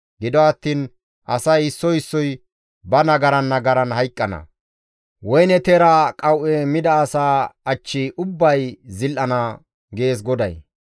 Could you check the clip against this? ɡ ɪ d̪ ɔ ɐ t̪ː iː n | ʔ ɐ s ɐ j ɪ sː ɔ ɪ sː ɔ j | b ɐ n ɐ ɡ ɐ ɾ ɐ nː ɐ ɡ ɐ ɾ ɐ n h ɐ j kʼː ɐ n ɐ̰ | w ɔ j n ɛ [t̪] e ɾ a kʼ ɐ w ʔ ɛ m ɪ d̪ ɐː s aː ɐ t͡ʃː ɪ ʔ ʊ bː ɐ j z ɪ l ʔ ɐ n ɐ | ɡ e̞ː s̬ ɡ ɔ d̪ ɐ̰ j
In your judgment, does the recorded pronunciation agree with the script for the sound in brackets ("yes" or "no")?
yes